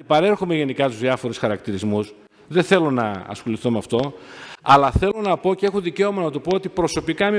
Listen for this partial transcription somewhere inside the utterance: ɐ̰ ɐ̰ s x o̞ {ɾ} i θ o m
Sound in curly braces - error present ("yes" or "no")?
yes